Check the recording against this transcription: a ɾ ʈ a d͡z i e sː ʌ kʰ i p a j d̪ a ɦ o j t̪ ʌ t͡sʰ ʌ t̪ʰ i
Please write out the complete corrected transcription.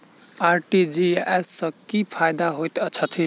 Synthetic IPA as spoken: a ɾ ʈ i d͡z i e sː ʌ k i pʰ a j d̪ a ɦ o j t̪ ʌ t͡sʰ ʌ t̪ʰ i